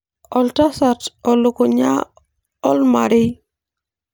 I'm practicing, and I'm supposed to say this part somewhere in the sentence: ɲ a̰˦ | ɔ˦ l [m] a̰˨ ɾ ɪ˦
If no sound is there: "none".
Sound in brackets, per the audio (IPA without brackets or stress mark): m